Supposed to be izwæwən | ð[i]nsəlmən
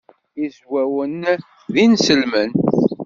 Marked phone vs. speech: correct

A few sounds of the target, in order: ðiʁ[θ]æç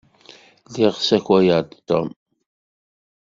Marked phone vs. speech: incorrect: s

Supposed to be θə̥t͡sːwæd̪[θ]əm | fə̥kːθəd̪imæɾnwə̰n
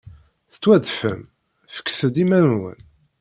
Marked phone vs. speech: incorrect: f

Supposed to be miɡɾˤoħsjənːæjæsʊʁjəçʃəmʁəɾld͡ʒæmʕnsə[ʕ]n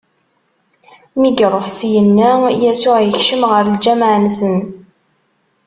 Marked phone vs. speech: incorrect: none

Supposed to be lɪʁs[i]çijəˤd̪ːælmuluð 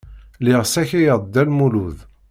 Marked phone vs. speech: incorrect: æ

